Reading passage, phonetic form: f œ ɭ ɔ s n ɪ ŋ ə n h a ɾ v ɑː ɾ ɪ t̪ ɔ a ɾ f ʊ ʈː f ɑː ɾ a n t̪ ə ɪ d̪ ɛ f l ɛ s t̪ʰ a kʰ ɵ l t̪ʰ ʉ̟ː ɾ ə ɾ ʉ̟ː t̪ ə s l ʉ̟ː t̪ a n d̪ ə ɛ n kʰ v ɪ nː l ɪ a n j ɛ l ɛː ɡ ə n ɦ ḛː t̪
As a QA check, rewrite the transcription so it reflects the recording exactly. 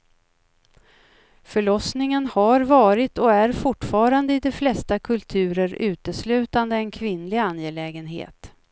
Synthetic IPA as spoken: f œ ɭ ɔ s n ɪ ŋ ə n h a ɾ v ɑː ɾ ɪ t̪ ɔ æ ɾ f ʊ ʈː f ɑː ɾ a n d̪ ə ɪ d̪ ɛ f l ɛ s t̪ a kʰ ɵ l t̪ʰ ʉ̟ː ɾ ə ɾ ʉ̟ː t̪ ə s l ʉ̟ː t̪ a n d̪ ə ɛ n kʰ v ɪ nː l ɪ a n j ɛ l ɛː ɡ ə n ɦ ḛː t̪

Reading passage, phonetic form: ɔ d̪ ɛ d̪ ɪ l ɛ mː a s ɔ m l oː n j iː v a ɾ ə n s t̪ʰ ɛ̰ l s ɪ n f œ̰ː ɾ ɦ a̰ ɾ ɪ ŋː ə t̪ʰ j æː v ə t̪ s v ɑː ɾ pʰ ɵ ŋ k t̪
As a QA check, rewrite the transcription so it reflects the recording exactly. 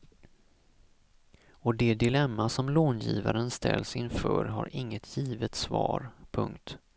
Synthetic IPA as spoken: ɔ d̪ ɛ d̪ ɪ l ɛ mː a s ɔ m l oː n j iː v a ɾ ə n s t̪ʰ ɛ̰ l s ɪ n f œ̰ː ɾ ɦ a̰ ɾ ɪ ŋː ə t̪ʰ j iː v ə t̪ s v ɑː ɾ pʰ ɵ ŋ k t̪

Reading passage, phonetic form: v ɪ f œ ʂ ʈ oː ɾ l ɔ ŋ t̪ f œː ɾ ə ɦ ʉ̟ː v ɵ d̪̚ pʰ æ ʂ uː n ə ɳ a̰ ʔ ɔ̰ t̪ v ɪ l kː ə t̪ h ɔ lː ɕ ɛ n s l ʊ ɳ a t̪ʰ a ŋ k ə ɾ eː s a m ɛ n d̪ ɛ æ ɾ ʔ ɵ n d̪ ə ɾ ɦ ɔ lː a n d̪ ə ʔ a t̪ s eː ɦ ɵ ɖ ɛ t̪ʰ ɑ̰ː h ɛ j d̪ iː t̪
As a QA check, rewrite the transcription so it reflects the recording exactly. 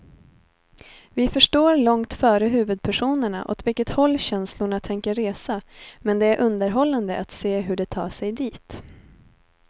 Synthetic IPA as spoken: v ɪ f œ ʂ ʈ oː ɾ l ɔ ŋ t̪ f œː ɾ ə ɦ ʉ̟ː v ɵ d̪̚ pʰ æ ʂ uː n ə ɳ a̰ ʔ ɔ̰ t̪ v ɪ l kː ə t̪ h ɔ lː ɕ ɛ n s l ʊ ɳ a t̪ʰ ɛ ŋ k ə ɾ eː s a m ɛ n d̪ ɛ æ ɾ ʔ ɵ n d̪ ə ɾ ɦ ɔ lː a n d̪ ə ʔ a t̪ s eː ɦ ɵ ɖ ɛ t̪ʰ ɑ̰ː ʂ ɛ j d̪ iː t̪

